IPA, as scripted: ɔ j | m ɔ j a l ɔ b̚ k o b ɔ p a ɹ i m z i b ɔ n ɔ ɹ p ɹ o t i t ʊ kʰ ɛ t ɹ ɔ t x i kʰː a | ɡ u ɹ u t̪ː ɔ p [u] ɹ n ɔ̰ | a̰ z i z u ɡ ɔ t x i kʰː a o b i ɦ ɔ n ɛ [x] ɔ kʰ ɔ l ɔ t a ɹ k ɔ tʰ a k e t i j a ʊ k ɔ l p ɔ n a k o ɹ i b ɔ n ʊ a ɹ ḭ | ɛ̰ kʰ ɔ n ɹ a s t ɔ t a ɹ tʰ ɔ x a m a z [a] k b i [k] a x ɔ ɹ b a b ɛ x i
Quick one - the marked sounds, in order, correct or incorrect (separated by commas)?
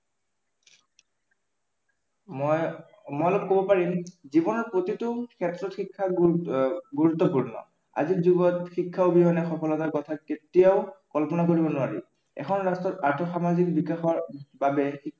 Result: correct, correct, incorrect, correct